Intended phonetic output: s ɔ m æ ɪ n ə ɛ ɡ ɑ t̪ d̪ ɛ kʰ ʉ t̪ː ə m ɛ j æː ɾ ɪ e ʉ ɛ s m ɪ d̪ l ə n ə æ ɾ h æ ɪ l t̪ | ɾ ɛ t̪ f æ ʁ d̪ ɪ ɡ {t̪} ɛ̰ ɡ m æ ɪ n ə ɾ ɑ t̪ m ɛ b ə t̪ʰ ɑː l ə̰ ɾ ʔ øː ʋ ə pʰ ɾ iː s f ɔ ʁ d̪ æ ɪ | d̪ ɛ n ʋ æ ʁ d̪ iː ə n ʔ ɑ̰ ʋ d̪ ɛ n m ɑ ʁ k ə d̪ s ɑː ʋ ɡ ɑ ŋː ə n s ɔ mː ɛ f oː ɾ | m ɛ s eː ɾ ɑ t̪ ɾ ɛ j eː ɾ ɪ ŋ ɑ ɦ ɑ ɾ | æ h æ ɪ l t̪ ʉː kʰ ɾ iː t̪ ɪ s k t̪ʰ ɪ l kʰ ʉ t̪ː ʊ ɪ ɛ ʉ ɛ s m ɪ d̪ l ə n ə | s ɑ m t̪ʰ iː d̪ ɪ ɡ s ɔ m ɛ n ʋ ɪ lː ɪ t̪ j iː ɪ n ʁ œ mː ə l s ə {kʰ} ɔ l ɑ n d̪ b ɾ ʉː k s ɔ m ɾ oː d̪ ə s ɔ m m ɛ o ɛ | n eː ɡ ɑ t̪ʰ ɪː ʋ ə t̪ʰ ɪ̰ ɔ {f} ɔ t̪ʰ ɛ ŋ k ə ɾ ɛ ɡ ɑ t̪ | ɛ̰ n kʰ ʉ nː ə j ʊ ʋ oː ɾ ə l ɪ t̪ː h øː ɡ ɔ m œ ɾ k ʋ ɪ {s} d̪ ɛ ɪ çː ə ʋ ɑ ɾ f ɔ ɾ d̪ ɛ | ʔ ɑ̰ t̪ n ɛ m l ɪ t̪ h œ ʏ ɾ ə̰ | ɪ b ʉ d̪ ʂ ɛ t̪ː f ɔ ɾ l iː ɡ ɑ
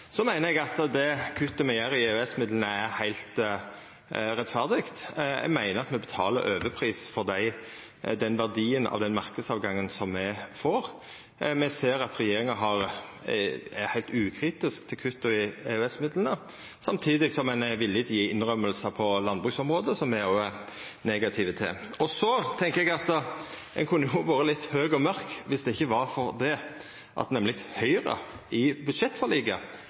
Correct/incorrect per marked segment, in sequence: correct, incorrect: pʰ, incorrect: s, correct

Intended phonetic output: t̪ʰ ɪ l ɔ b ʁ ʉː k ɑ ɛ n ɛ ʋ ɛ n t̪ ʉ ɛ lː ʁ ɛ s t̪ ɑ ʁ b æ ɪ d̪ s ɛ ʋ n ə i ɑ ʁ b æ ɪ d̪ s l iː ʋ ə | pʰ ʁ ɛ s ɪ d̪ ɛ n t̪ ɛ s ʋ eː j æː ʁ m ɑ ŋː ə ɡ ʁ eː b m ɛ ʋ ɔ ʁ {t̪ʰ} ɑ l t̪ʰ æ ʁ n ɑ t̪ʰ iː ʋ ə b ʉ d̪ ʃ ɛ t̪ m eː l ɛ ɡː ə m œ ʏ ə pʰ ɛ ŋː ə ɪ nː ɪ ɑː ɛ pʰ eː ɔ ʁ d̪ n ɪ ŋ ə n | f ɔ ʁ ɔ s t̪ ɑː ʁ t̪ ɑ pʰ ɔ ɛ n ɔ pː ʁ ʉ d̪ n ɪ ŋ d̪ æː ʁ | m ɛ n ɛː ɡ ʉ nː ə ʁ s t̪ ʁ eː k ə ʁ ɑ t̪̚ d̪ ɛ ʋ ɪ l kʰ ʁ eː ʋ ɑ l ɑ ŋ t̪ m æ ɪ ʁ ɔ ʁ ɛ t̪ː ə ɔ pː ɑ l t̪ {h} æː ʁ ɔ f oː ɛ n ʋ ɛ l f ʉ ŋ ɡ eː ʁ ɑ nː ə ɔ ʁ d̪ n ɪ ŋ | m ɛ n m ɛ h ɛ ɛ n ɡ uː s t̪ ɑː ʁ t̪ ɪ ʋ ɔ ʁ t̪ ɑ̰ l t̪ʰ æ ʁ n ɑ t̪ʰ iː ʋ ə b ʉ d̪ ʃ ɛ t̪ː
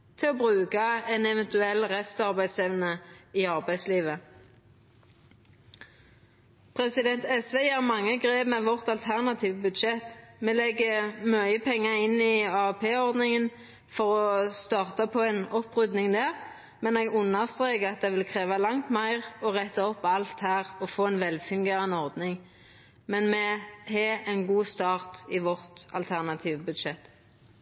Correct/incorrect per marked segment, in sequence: incorrect: t̪, correct

